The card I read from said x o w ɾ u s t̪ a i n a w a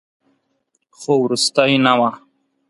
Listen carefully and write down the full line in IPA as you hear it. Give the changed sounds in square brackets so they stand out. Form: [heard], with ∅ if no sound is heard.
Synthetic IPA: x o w ɾ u s t̪ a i n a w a